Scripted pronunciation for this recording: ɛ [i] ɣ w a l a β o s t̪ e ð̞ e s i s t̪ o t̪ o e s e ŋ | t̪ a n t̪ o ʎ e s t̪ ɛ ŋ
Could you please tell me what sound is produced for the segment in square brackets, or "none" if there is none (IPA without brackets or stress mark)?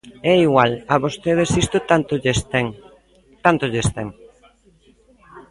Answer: i